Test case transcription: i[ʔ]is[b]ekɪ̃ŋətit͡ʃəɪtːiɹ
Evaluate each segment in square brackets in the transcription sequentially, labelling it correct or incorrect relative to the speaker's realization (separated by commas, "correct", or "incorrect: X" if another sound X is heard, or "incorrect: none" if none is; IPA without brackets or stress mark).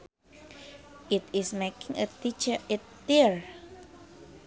incorrect: t, incorrect: m